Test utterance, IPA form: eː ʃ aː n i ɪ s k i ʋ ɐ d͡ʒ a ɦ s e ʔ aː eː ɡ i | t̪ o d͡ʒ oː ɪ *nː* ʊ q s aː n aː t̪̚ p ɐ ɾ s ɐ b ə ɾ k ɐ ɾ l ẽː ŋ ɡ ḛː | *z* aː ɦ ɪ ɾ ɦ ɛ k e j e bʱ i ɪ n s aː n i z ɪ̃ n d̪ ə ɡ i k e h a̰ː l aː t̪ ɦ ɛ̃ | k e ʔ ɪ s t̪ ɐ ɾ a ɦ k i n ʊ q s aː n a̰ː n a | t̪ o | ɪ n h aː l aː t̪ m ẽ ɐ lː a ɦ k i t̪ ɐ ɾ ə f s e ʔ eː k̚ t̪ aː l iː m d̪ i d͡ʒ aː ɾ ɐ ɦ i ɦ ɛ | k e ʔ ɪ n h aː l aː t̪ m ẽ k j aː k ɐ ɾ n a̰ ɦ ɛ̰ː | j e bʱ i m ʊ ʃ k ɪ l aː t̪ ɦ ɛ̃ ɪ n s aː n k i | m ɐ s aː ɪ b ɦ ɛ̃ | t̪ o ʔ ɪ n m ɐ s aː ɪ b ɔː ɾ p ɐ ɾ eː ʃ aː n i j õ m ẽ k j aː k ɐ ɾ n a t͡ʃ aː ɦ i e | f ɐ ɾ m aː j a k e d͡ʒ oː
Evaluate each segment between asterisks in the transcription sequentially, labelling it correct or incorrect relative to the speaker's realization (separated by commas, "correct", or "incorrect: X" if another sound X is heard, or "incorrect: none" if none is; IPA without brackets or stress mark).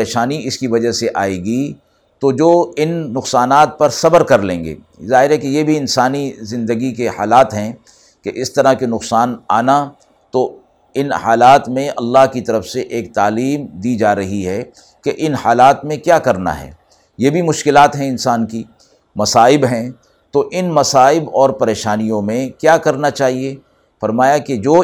correct, correct